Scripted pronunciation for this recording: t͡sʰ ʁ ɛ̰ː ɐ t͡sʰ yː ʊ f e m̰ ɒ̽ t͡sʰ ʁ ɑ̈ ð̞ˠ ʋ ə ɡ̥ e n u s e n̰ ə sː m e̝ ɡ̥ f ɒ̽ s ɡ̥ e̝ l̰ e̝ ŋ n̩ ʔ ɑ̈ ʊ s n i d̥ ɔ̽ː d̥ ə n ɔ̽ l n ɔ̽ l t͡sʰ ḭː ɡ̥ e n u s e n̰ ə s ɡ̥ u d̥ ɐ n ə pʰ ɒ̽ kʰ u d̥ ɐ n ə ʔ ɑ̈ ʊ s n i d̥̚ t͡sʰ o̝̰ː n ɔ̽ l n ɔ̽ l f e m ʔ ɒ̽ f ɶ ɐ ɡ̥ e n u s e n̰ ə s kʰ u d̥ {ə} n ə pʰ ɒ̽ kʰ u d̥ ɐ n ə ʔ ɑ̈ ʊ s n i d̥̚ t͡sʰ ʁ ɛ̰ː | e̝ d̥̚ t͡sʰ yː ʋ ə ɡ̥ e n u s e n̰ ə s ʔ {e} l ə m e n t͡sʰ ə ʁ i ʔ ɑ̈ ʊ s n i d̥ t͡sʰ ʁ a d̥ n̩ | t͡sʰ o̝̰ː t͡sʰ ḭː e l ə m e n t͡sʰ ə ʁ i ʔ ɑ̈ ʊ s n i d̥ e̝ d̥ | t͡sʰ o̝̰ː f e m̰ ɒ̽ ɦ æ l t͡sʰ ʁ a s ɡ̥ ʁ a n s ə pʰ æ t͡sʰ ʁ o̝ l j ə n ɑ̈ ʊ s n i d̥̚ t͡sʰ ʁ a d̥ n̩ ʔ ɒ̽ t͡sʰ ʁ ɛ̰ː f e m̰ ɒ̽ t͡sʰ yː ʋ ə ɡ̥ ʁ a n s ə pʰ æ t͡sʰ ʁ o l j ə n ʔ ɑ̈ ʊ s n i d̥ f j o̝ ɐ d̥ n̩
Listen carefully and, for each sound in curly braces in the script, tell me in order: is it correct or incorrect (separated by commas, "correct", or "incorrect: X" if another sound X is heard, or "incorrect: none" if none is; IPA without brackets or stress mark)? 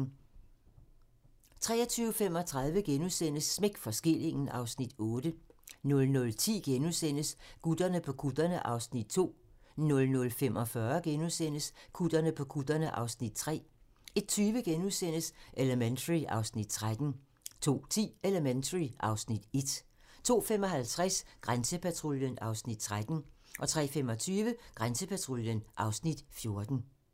incorrect: ɐ, correct